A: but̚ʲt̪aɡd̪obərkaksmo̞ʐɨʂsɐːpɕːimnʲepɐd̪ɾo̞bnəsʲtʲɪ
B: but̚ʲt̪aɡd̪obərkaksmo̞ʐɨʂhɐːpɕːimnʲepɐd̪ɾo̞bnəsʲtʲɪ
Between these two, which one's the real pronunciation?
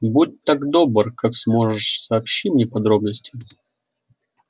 A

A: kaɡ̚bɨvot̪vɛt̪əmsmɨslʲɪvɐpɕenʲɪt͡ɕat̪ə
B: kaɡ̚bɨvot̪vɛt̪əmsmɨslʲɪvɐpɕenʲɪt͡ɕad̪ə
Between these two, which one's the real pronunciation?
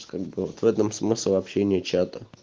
A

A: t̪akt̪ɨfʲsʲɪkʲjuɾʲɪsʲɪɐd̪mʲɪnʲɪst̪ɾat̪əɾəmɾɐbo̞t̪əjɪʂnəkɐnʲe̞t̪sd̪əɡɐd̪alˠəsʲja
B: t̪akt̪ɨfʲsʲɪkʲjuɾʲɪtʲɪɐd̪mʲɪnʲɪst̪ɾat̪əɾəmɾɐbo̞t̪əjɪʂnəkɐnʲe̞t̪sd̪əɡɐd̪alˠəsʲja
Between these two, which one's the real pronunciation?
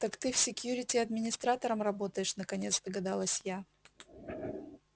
B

